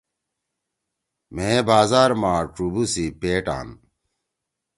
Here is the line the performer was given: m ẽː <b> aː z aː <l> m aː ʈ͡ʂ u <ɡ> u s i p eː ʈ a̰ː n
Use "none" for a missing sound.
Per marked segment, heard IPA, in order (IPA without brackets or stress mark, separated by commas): b, ɾ, b